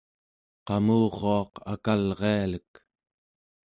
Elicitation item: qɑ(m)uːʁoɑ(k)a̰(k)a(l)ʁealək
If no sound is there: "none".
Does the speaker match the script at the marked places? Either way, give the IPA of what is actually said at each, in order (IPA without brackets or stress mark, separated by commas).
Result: m, q, k, l